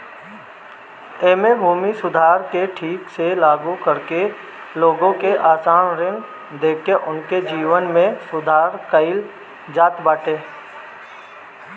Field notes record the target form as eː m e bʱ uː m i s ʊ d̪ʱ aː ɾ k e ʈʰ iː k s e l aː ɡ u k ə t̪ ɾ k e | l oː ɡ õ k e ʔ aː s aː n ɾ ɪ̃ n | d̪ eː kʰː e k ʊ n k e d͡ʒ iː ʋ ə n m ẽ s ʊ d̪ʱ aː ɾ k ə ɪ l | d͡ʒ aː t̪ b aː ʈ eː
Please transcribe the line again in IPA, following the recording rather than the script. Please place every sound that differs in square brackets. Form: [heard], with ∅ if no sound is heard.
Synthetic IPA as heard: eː m e bʱ uː m i s ʊ d̪ʱ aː ɾ k e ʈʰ iː k s e l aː ɡ u k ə [∅] ɾ k e | l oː ɡ õ k e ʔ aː s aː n ɾ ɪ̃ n | d̪ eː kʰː e [ʔ] ʊ n k e d͡ʒ iː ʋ ə n m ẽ s ʊ d̪ʱ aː ɾ k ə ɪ l | d͡ʒ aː t̪ b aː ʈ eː

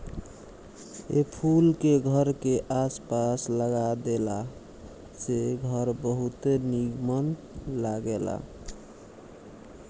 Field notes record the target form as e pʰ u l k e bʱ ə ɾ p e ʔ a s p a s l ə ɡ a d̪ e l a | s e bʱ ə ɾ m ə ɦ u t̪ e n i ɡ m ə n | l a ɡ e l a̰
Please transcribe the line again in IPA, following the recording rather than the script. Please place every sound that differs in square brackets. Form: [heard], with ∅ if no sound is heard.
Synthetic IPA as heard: e pʰ u l k e [ɡʱ] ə ɾ [k] e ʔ a s p a s l ə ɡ a d̪ e l a | s e [ɡʱ] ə ɾ [b] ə ɦ u t̪ e n i ɡ m ə n | l a ɡ e l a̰

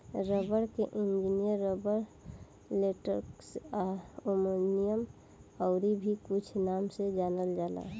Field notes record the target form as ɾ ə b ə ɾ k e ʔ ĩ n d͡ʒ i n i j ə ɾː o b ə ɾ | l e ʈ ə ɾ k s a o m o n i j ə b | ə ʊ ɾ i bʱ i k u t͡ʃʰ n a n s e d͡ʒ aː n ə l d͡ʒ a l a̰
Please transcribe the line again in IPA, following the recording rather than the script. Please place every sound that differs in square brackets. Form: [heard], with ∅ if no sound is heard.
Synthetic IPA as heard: ɾ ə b ə ɾ k e ʔ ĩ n d͡ʒ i n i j ə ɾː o b ə ɾ | l e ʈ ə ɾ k s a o m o n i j ə [m] | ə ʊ ɾ i bʱ i k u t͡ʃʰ n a [m] s e d͡ʒ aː n ə l d͡ʒ a l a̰

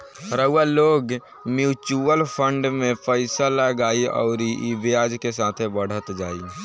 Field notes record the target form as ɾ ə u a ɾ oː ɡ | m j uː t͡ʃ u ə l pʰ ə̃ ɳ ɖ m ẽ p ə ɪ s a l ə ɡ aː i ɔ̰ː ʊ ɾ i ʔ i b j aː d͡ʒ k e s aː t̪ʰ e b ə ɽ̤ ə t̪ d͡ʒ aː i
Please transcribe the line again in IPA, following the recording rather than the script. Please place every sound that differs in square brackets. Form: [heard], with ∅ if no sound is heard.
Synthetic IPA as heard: ɾ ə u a [l] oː ɡ | m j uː t͡ʃ u ə l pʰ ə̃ ɳ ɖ m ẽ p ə ɪ s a l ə ɡ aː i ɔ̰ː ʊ ɾ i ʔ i b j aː d͡ʒ k e s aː t̪ʰ e b ə ɽ̤ ə t̪ d͡ʒ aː i

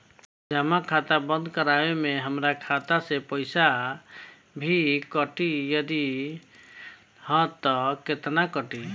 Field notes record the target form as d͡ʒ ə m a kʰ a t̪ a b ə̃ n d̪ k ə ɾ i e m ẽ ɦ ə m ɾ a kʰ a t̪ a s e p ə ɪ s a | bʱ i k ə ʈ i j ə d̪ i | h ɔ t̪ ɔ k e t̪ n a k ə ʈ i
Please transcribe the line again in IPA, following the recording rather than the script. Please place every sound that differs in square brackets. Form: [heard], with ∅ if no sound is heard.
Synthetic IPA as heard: d͡ʒ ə m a kʰ a t̪ a b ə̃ n d̪ k ə ɾ [a] e m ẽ ɦ ə m ɾ a kʰ a t̪ a s e p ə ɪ s a | bʱ i k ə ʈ i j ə d̪ i | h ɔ t̪ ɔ k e t̪ n a k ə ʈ i

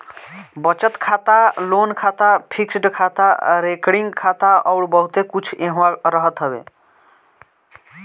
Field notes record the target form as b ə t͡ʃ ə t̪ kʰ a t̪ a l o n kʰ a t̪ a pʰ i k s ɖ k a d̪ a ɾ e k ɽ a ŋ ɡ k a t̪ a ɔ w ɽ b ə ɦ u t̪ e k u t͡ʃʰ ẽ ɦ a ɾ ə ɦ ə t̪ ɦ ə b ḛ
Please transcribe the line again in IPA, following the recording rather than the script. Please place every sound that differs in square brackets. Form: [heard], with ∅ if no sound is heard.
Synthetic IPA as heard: b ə t͡ʃ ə t̪ kʰ a t̪ a l o n kʰ a t̪ a pʰ i k s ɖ [kʰ] a [t̪] a ɾ e k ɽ [i] ŋ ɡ [kʰ] a t̪ a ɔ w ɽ b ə ɦ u t̪ e k u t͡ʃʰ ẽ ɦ a ɾ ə ɦ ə t̪ ɦ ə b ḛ

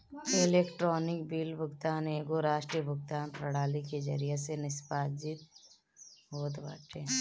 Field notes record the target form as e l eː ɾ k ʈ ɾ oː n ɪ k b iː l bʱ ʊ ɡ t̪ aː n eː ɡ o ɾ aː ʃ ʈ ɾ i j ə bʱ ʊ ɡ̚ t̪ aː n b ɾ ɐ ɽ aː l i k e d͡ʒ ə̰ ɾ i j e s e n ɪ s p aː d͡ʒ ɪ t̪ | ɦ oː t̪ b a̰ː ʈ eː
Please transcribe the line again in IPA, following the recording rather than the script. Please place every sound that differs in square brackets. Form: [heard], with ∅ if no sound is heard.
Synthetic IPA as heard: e l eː [∅] k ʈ ɾ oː n ɪ k b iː l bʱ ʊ ɡ t̪ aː n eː ɡ o ɾ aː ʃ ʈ ɾ i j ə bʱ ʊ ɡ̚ t̪ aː n [p] ɾ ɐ ɽ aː l i k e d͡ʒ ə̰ ɾ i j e s e n ɪ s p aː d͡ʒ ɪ t̪ | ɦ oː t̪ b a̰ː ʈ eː

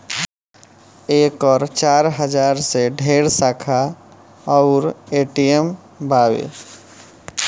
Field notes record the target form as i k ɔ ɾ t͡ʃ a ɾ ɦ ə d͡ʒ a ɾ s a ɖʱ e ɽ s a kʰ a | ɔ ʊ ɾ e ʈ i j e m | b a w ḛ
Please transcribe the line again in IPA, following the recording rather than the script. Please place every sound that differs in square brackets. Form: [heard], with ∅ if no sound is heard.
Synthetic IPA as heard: [e] k ɔ ɾ t͡ʃ a ɾ ɦ ə d͡ʒ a ɾ s [e] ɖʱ e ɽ s a kʰ a | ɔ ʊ ɾ e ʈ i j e m | b a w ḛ

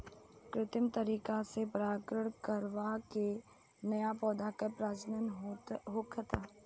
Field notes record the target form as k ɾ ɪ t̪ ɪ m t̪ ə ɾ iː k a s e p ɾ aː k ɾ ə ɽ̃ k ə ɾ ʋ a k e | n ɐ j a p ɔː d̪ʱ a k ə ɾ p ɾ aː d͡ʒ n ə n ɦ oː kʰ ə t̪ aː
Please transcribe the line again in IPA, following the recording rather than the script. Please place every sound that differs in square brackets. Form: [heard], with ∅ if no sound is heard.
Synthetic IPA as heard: k ɾ ɪ t̪ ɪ m t̪ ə ɾ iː k a s e p ɾ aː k ɾ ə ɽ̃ k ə ɾ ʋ a k e | n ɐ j a p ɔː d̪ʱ a k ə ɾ p ɾ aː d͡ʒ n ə n ɦ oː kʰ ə t̪ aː

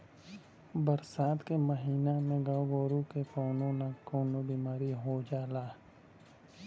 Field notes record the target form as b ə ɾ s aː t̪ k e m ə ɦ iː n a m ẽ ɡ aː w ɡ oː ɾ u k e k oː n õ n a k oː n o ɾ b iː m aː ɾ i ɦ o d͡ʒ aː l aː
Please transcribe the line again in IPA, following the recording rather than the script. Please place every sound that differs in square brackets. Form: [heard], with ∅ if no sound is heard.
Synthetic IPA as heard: b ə ɾ s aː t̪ k e m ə ɦ iː n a m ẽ ɡ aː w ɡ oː ɾ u k e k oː n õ n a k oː n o [∅] b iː m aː ɾ i ɦ o d͡ʒ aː l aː

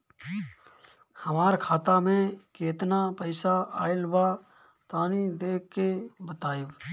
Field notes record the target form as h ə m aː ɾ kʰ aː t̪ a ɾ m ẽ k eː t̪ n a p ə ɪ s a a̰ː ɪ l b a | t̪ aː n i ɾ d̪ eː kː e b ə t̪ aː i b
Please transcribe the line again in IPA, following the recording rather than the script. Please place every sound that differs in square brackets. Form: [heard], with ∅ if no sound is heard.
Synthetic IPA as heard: h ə m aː ɾ kʰ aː t̪ a [∅] m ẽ k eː t̪ n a p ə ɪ s a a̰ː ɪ l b a | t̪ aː n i [∅] d̪ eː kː e b ə t̪ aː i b

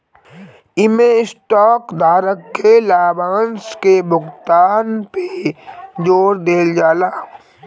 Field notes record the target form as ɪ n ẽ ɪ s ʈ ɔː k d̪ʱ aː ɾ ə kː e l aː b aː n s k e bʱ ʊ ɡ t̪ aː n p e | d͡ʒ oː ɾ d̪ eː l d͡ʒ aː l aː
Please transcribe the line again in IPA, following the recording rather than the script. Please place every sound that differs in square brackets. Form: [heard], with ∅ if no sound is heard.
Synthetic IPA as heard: ɪ [m] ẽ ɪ s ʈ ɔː k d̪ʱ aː ɾ ə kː e l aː b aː n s k e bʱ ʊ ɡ t̪ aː n p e | d͡ʒ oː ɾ d̪ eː l d͡ʒ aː l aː

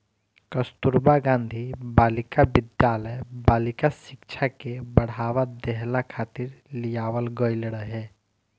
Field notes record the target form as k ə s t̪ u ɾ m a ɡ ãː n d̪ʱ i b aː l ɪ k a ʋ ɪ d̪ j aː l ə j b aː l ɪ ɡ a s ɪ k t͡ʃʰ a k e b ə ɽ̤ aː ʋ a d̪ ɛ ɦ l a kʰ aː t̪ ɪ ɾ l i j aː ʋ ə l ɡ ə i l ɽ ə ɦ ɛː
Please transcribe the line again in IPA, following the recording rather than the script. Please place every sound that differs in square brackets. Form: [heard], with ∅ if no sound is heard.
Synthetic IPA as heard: k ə s t̪ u ɾ [b] a ɡ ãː n d̪ʱ i b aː l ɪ k a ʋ ɪ d̪ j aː l ə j b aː l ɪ [k] a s ɪ k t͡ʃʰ a k e b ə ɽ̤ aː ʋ a d̪ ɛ ɦ l a kʰ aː t̪ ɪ ɾ l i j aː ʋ ə l ɡ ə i l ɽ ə ɦ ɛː

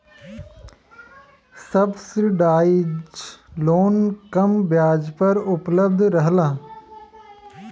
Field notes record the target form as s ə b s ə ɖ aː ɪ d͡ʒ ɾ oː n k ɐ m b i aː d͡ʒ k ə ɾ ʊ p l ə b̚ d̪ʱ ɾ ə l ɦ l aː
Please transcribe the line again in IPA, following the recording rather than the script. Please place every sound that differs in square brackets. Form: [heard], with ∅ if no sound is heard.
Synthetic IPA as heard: s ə b s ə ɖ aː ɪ d͡ʒ [l] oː n k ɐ m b [j] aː d͡ʒ [p] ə ɾ ʊ p l ə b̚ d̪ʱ ɾ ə [∅] ɦ l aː

